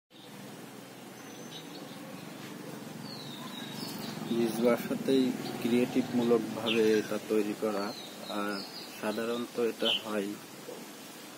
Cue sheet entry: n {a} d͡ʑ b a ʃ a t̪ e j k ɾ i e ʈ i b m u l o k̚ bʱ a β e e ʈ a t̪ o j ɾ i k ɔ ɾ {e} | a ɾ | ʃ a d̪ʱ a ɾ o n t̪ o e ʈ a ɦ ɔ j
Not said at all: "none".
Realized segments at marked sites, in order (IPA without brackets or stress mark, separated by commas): i, a